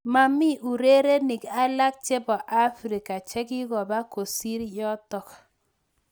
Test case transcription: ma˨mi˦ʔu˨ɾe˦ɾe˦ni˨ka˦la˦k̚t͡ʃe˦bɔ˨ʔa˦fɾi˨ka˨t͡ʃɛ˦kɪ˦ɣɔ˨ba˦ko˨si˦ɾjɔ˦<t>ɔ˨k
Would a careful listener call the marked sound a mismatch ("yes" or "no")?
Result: no